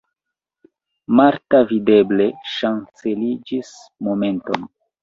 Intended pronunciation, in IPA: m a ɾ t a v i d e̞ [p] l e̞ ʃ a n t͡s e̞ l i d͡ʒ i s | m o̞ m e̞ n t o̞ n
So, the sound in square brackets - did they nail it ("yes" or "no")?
no